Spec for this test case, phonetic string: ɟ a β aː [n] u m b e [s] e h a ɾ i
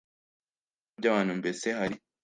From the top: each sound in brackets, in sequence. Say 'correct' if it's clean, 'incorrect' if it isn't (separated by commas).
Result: correct, correct